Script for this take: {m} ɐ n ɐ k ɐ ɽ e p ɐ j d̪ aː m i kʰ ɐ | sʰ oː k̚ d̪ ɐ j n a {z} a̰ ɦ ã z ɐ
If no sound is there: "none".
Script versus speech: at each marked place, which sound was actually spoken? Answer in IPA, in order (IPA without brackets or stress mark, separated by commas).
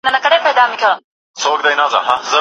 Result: n, z